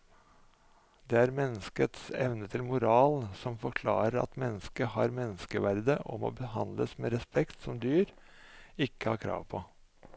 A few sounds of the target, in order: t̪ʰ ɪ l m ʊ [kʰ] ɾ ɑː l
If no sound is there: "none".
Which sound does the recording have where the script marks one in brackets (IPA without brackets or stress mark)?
none